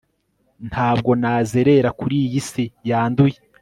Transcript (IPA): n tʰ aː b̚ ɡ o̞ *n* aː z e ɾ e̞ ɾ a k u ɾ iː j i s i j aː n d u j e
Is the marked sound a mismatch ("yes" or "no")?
no